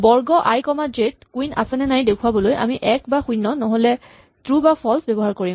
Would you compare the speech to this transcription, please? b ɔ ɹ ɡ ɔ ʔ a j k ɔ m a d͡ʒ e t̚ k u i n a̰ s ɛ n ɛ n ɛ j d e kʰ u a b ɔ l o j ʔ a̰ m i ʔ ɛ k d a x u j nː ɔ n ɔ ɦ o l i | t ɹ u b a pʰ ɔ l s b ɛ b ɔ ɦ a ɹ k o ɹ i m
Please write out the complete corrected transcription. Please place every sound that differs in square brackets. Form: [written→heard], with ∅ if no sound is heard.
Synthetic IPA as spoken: b ɔ ɹ ɡ ɔ ʔ a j k ɔ m a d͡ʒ e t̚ k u i n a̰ s ɛ n ɛ n [ɛ→a] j d e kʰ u a b ɔ l o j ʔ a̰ m i ʔ ɛ k [d→b] a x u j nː ɔ n ɔ ɦ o l [i→ɛ] | t ɹ u b a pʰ ɔ l s b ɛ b ɔ ɦ a ɹ k o ɹ i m